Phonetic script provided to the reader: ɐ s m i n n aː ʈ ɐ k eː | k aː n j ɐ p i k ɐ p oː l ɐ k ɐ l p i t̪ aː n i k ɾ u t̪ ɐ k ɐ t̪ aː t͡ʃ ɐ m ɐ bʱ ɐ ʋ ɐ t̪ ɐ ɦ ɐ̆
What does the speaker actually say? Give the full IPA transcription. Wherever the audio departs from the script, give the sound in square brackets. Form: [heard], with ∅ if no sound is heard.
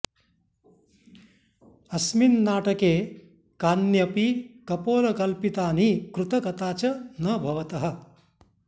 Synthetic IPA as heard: ɐ s m i n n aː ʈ ɐ k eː | k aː n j ɐ p i k ɐ p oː l ɐ k ɐ l p i t̪ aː n i k ɾ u t̪ ɐ k ɐ t̪ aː t͡ʃ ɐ [n] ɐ bʱ ɐ ʋ ɐ t̪ ɐ ɦ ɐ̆